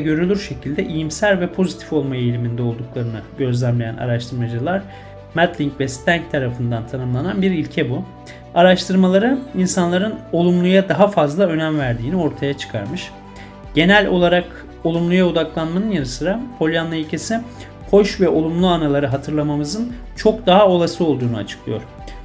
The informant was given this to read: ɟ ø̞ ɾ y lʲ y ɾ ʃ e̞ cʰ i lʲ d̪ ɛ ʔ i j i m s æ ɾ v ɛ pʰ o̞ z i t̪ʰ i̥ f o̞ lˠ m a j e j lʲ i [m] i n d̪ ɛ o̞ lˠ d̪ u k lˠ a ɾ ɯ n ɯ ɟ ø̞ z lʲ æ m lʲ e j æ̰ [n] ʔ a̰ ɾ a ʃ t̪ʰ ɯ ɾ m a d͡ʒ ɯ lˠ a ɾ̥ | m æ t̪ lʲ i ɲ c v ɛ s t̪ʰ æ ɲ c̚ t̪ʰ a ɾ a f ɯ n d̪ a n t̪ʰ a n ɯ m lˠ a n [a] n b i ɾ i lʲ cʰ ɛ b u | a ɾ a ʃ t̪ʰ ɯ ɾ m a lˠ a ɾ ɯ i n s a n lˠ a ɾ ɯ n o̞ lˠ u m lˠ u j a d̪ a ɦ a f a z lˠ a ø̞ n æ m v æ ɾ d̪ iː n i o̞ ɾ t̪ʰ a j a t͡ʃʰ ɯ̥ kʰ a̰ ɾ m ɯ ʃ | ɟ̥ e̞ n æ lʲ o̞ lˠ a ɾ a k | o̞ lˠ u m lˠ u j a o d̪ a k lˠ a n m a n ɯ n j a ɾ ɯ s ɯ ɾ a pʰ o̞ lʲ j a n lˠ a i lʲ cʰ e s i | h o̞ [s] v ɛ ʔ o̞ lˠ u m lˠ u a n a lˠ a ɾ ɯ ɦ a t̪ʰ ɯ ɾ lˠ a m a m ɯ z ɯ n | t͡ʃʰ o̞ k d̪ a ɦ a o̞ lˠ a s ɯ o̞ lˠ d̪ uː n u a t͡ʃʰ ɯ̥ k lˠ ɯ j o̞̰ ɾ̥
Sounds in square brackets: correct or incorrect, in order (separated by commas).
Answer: correct, correct, correct, incorrect